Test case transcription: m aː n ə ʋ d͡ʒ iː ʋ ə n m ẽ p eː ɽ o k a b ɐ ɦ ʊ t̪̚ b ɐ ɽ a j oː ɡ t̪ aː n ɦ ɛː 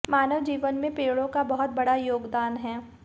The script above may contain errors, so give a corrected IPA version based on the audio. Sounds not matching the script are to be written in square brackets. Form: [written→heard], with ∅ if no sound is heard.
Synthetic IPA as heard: m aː n ə ʋ d͡ʒ iː ʋ ə n m ẽ p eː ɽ [o→õ] k a b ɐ ɦ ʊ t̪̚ b ɐ ɽ a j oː ɡ [t̪→d̪] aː n ɦ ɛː